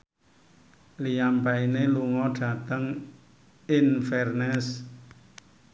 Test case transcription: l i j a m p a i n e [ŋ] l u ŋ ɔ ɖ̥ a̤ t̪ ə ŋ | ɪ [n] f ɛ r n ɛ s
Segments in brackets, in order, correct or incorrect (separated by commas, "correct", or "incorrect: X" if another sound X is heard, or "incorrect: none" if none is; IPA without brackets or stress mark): incorrect: none, correct